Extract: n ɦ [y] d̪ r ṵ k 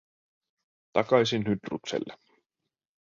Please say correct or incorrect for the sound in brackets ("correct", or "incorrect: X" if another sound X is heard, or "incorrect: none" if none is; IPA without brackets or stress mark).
correct